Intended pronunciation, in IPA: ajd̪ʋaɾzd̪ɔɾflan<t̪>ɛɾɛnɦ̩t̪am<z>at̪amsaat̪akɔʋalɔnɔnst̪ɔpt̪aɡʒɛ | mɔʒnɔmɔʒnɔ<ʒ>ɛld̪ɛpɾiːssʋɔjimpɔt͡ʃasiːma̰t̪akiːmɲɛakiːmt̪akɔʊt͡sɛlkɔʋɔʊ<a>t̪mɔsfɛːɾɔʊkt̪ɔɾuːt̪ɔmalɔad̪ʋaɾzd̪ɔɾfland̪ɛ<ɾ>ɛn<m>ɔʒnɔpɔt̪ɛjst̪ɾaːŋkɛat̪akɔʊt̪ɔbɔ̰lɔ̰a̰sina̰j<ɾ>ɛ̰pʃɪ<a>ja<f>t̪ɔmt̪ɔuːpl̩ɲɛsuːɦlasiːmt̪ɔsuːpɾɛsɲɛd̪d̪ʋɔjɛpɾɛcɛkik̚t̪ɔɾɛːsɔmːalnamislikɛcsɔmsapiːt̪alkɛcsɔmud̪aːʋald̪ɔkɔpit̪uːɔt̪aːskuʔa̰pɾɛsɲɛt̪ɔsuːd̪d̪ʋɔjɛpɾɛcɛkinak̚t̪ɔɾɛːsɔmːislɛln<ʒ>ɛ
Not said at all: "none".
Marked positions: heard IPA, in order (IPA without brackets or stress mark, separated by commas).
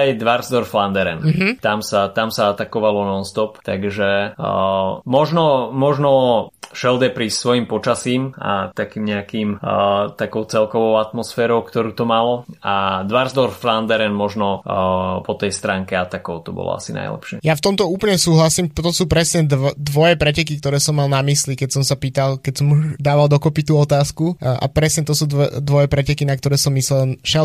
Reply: d̪, s, ʃ, a, ɾ, m, l, ɛ, f, ʃ